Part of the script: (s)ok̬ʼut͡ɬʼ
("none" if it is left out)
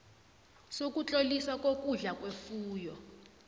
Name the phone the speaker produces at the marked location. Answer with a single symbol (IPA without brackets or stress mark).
s